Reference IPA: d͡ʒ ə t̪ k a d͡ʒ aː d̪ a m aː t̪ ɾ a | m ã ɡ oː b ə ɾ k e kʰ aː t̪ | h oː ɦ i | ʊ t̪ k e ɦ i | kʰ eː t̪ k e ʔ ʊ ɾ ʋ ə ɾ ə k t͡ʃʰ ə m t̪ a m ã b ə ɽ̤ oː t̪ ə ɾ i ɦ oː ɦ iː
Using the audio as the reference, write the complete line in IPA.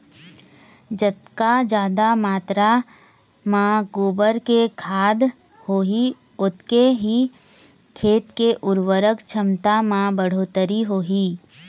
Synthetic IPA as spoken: d͡ʒ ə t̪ k a d͡ʒ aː d̪ a m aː t̪ ɾ a | m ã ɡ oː b ə ɾ k e kʰ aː d̪ | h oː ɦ i | ʊ t̪ k e ɦ i | kʰ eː t̪ k e ʔ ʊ ɾ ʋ ə ɾ ə k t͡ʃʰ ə m t̪ a m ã b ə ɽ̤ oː t̪ ə ɾ i ɦ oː ɦ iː